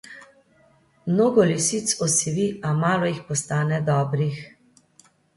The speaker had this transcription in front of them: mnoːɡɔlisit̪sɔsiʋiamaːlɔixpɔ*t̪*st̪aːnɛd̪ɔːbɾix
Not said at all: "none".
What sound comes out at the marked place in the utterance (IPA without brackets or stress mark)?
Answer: none